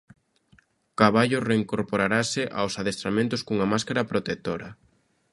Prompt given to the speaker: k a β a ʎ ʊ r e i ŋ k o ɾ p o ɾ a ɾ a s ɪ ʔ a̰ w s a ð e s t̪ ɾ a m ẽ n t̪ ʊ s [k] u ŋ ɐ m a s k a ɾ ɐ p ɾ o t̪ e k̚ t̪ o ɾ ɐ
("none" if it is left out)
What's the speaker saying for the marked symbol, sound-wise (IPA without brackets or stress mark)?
k